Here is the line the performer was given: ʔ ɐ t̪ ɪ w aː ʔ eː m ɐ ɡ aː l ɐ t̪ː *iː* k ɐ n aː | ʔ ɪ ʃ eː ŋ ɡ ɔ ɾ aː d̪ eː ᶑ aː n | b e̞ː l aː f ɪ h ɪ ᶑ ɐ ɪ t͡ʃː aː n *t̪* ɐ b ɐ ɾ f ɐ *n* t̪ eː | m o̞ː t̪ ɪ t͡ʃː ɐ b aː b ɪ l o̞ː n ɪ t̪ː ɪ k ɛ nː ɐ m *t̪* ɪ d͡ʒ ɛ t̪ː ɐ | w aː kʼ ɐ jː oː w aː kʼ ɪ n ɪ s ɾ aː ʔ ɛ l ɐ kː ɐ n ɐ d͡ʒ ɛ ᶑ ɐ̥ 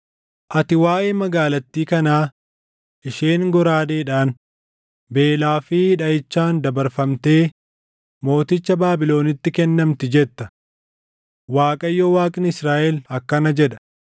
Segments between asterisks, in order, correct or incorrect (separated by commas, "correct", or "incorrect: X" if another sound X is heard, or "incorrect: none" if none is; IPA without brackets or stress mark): correct, incorrect: d̪, incorrect: m, correct